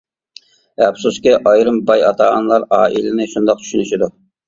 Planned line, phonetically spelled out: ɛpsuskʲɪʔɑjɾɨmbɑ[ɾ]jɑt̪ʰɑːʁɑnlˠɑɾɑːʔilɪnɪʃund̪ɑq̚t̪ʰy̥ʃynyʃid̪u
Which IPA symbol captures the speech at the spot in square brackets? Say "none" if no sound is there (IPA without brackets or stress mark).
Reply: none